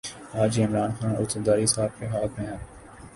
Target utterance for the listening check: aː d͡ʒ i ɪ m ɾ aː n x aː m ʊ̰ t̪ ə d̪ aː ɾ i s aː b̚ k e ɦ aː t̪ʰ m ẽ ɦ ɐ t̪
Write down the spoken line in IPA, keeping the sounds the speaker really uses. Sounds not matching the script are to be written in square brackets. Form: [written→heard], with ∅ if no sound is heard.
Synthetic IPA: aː d͡ʒ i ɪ m ɾ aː n x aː [m→n] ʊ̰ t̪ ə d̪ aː ɾ i s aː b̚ k e ɦ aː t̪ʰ m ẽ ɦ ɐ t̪